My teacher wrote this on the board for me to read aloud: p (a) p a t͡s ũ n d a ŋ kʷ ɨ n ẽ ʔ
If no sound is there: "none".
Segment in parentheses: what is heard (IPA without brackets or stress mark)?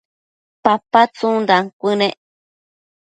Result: a